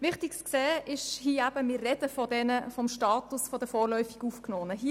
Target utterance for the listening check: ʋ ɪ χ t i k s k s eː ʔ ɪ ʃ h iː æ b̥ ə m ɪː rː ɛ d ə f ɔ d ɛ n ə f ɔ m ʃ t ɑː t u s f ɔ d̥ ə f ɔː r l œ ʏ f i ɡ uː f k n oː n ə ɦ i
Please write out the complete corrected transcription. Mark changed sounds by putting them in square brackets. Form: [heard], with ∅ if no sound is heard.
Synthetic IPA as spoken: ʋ ɪ χ t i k s k s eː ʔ ɪ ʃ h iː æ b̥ ə m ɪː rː ɛ d ə f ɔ d ɛ n ə f ɔ m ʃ t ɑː t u s f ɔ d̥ ə f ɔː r l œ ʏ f i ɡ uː f k n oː n ə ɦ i